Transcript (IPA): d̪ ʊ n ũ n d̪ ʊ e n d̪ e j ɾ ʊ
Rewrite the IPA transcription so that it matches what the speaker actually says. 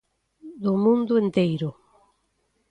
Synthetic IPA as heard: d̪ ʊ m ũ n d̪ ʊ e n t̪ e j ɾ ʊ

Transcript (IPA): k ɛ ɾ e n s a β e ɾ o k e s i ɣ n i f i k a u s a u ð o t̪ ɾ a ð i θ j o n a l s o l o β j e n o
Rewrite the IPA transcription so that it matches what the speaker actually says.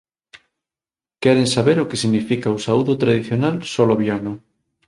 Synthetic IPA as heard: k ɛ ɾ e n s a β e ɾ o k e s i ɣ n i f i k a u s a u ð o t̪ ɾ a ð i θ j o n a l s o l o β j a n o

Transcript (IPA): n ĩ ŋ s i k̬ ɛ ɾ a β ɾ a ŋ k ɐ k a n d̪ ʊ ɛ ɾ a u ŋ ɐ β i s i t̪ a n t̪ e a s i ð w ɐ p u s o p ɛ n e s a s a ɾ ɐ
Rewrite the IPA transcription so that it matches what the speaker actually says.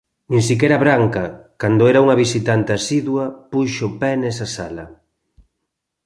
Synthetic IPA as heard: n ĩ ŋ s i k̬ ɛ ɾ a β ɾ a ŋ k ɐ k a n d̪ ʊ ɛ ɾ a u ŋ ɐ β i s i t̪ a n t̪ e a s i ð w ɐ p u ʃ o p ɛ n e s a s a l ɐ

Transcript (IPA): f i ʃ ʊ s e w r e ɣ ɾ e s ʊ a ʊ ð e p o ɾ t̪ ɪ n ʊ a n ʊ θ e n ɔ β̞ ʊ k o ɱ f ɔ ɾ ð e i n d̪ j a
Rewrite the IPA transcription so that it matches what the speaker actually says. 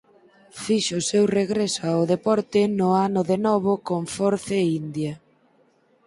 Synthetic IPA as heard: f i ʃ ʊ s e w r e ɣ ɾ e s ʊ a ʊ ð e p ɔ ɾ t̪ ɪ n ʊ a n ʊ ð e n ɔ β̞ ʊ k o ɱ f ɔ ɾ θ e i n d̪ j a

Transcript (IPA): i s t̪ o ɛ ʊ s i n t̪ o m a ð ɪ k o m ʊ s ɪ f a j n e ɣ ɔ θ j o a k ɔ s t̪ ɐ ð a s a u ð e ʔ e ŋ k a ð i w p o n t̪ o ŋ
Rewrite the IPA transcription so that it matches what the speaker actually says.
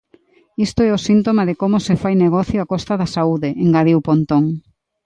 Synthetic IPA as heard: i s t̪ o ɛ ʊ s i n t̪ o m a ð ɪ k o m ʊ s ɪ f a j n e ɣ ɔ θ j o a k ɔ s t̪ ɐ ð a s a u ð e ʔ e ŋ ɡ a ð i w p o n t̪ o ŋ

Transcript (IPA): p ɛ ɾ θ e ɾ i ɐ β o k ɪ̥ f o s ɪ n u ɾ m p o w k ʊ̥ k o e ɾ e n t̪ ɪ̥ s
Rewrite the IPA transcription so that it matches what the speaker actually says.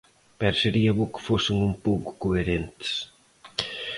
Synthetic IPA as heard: p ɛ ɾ s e ɾ i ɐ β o k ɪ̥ f o s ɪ ŋ u m p o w k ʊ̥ k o e ɾ e n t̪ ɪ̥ s

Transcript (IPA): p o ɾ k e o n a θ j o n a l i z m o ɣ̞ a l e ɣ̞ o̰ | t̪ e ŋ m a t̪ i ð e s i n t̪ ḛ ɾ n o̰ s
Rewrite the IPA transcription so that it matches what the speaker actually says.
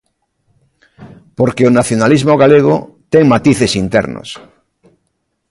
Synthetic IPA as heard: p o ɾ k e o n a θ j o n a l i z m o ɣ̞ a l e ɣ̞ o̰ | t̪ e ŋ m a t̪ i θ e s i n t̪ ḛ ɾ n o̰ s

